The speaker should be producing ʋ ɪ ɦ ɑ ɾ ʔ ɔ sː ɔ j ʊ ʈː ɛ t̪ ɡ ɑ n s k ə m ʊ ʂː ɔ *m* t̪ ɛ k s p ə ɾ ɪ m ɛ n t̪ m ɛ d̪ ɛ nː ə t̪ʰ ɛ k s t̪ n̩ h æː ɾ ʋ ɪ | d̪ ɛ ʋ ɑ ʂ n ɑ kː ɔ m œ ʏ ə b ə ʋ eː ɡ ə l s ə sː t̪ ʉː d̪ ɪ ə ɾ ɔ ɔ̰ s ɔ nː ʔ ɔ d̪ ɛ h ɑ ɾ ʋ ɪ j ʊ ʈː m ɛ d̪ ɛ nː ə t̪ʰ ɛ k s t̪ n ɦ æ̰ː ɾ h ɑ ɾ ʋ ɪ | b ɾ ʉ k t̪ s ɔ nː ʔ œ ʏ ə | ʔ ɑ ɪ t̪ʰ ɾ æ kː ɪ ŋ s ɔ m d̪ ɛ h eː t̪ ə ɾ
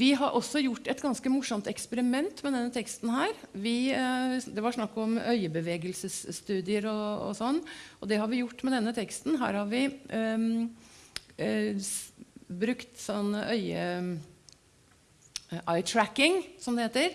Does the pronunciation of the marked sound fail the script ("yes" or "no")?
no